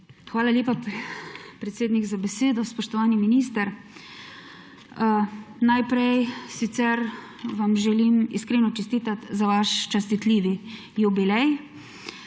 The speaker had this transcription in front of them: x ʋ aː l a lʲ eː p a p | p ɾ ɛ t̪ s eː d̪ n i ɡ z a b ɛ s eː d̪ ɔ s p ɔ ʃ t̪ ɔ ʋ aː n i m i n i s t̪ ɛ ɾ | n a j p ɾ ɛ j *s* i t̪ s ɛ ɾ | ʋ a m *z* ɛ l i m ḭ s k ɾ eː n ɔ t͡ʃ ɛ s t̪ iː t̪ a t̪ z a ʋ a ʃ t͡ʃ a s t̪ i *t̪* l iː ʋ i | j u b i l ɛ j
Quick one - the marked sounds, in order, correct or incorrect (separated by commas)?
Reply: correct, incorrect, correct